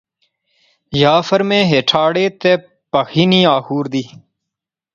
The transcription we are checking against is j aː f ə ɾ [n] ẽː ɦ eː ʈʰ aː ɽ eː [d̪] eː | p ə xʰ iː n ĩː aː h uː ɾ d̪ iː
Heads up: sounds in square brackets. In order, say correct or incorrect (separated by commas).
incorrect, incorrect